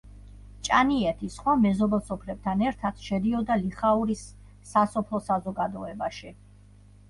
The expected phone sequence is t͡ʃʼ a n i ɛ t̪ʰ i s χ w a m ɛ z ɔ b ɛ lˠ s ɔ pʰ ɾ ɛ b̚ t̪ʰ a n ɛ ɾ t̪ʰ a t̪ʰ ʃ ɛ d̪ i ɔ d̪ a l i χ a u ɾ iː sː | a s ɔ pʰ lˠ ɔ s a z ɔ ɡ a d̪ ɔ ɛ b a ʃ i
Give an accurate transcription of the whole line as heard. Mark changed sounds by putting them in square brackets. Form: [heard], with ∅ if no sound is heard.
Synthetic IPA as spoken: t͡ʃʼ a n i ɛ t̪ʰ i s χ w a m ɛ z ɔ b ɛ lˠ s ɔ pʰ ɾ ɛ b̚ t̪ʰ a n ɛ ɾ t̪ʰ a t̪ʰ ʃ ɛ d̪ i ɔ d̪ a l i χ a u ɾ [i] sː | a s ɔ pʰ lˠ ɔ s a z ɔ ɡ a d̪ ɔ ɛ b a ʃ i